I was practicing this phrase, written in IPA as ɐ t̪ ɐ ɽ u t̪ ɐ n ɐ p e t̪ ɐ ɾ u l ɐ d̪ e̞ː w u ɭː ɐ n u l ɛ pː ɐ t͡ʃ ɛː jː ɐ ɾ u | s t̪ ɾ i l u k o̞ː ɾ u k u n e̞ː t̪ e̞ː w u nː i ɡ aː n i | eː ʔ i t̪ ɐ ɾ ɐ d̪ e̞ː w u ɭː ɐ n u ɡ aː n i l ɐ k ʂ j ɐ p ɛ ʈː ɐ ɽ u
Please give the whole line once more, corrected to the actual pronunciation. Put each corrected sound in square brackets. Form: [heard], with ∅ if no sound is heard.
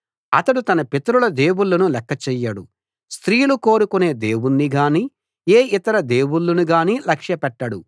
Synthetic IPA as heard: ɐ t̪ ɐ ɽ u t̪ ɐ n ɐ p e t̪ ɐ ɾ u l ɐ d̪ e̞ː w u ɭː ɐ n u l ɛ [kː] ɐ t͡ʃ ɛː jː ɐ [ɽ] u | s t̪ ɾ [iː] l u k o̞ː ɾ u k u n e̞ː [d̪] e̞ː w u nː i ɡ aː n i | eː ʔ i t̪ ɐ ɾ ɐ d̪ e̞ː w u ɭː ɐ n u ɡ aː n i l ɐ k ʂ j ɐ p ɛ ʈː ɐ ɽ u

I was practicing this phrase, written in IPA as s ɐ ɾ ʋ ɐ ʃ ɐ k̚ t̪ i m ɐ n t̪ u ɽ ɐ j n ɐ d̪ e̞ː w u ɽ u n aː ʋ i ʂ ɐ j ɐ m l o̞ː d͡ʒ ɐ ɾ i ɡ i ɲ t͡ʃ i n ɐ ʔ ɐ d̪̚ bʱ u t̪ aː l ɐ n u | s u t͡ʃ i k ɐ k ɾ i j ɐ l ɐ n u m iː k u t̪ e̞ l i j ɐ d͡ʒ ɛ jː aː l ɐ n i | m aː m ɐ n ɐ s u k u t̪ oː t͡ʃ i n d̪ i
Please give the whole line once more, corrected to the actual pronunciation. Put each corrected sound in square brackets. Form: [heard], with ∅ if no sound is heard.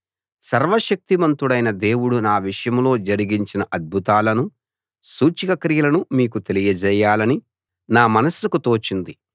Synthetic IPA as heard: s ɐ ɾ ʋ ɐ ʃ ɐ k̚ t̪ i m ɐ n t̪ u ɽ ɐ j n ɐ d̪ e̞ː w u ɽ u n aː ʋ i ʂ ɐ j ɐ m l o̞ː d͡ʒ ɐ ɾ i ɡ i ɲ t͡ʃ i n ɐ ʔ ɐ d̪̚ bʱ u t̪ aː l ɐ n u | s [uː] t͡ʃ i k ɐ k ɾ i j ɐ l ɐ n u m iː k u t̪ e̞ l i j ɐ d͡ʒ ɛ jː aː l ɐ n i | [n] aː m ɐ n ɐ s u k u t̪ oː t͡ʃ i n d̪ i

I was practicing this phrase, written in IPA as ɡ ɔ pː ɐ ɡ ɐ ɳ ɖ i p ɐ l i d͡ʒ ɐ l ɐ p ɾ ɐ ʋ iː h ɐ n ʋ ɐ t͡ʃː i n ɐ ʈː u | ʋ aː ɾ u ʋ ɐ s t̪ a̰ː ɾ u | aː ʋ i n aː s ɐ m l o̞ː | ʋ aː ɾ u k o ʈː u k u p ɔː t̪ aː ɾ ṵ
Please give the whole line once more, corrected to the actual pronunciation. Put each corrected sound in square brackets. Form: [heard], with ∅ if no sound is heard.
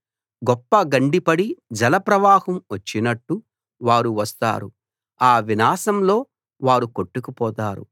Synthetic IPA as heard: ɡ ɔ pː ɐ ɡ ɐ ɳ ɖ i p ɐ [ɽ] i d͡ʒ ɐ l ɐ p ɾ ɐ ʋ [aː] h ɐ [m] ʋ ɐ t͡ʃː i n ɐ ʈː u | ʋ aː ɾ u ʋ ɐ s t̪ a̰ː ɾ u | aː ʋ i n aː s ɐ m l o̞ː | ʋ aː ɾ u k o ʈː u k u p ɔː t̪ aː ɾ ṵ

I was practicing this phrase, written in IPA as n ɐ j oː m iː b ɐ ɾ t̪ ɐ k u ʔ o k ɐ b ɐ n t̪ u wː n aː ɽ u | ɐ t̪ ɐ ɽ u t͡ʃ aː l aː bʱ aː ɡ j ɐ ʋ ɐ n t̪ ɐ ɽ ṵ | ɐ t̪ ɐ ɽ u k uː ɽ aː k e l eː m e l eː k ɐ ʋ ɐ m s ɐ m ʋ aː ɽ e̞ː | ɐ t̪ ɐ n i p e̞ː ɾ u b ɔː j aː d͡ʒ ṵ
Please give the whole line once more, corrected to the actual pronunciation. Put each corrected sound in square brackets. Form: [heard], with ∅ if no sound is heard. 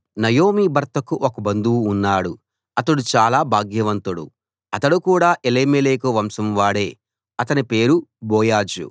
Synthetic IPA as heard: n ɐ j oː m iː b ɐ ɾ t̪ ɐ k u ʔ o k ɐ b ɐ n [d̪] u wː [nː] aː ɽ u | ɐ t̪ ɐ ɽ u t͡ʃ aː l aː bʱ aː ɡ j ɐ ʋ ɐ n t̪ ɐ ɽ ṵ | ɐ t̪ ɐ ɽ u k uː ɽ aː [ʔ] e l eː m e l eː k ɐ ʋ ɐ m s ɐ m ʋ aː ɽ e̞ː | ɐ t̪ ɐ n i p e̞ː ɾ u b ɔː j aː d͡ʒ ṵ

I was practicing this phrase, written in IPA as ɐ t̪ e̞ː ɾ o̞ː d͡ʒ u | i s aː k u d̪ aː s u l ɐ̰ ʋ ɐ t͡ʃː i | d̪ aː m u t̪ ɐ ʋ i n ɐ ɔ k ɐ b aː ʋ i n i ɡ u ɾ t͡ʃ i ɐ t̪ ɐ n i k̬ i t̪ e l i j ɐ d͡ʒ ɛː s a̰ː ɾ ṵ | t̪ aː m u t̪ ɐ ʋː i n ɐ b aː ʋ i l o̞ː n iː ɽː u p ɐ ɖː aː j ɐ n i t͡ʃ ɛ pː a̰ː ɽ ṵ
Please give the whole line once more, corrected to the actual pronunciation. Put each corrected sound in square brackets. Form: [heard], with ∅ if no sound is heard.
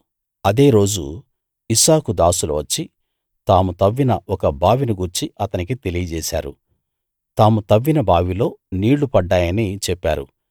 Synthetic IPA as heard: ɐ [d̪] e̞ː ɾ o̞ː d͡ʒ u | i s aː k u d̪ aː s u l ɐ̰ ʋ ɐ t͡ʃː i | [t̪] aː m u t̪ ɐ [ʋː] i n ɐ ɔ k ɐ b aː ʋ i n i ɡ u ɾ t͡ʃ i ɐ t̪ ɐ n i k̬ i t̪ e l i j ɐ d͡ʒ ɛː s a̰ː ɾ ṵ | t̪ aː m u t̪ ɐ ʋː i n ɐ b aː ʋ i l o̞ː n iː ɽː u p ɐ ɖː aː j ɐ n i t͡ʃ ɛ pː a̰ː [ɾ] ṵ

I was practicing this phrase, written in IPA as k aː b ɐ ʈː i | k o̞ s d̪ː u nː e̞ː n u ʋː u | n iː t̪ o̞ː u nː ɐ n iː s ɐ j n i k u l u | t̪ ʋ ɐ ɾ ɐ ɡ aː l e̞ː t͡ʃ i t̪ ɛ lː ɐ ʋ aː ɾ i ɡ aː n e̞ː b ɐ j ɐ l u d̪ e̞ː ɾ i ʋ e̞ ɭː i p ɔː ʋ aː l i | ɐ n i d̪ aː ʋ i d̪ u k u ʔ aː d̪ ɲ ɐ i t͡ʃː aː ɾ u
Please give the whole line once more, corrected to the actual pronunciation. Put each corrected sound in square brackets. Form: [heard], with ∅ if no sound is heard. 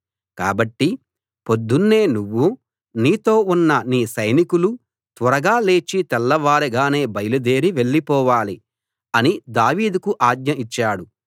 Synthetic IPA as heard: k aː b ɐ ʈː i | [p] o̞ [∅] d̪ː u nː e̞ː n u ʋː u | n iː t̪ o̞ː u nː ɐ n iː s ɐ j n i k u l u | t̪ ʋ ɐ ɾ ɐ ɡ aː l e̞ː t͡ʃ i t̪ ɛ lː ɐ ʋ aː ɾ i ɡ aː n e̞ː b ɐ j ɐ l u d̪ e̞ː ɾ i ʋ e̞ ɭː i p ɔː ʋ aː l i | ɐ n i d̪ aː ʋ [iː] d̪ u k u ʔ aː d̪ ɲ ɐ i t͡ʃː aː [ɽ] u

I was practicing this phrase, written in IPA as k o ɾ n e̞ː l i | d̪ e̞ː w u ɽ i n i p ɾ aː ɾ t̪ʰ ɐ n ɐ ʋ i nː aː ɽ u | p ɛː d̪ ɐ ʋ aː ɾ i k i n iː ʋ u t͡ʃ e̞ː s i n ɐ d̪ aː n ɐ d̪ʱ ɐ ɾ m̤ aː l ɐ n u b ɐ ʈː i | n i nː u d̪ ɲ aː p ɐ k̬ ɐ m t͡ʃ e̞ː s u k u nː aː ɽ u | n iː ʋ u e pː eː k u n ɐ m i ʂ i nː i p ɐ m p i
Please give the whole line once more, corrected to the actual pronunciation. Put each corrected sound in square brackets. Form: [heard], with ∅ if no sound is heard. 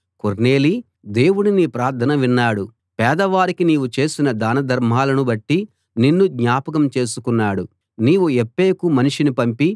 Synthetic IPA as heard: k o ɾ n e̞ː l i | d̪ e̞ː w u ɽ i n i p ɾ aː ɾ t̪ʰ ɐ n ɐ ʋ i nː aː ɽ u | p ɛː d̪ ɐ ʋ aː ɾ i k i n iː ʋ u t͡ʃ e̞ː s i n ɐ d̪ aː n ɐ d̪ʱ ɐ ɾ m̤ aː l ɐ n u b ɐ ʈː i | n i nː u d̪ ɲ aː p ɐ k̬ ɐ m t͡ʃ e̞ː s u k u nː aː ɽ u | n iː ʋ u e pː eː k u [m] ɐ [n] i ʂ i [n] i p ɐ m p i

